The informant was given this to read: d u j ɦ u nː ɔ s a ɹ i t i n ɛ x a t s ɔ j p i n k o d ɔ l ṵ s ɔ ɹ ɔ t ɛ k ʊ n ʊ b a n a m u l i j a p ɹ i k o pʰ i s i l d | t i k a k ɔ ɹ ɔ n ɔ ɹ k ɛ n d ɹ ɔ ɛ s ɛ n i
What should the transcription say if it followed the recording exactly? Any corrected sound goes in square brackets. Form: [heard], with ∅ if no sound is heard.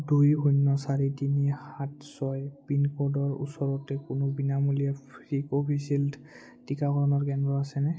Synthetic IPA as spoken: d u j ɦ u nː ɔ s a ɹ i t i n [i] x a t s ɔ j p i n k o d ɔ [ɹ] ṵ s ɔ ɹ ɔ t ɛ k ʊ n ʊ b [i] n a m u l i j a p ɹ i k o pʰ i s i l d | t i k a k ɔ ɹ ɔ n ɔ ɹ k ɛ n d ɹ ɔ [a] s ɛ n [ɛ]